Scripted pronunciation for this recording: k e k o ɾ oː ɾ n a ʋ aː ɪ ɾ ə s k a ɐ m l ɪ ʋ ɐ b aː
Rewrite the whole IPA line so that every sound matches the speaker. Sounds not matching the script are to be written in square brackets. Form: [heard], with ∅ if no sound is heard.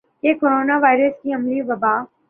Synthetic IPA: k e k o ɾ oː [∅] n a ʋ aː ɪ ɾ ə s k [i] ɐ m l [i] ʋ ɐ b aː